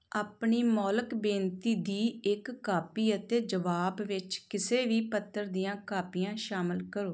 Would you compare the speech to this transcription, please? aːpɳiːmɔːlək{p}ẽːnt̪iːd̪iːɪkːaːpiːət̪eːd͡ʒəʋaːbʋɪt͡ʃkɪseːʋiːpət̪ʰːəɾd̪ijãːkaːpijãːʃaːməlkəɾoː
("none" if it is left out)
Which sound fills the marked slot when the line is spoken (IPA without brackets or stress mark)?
b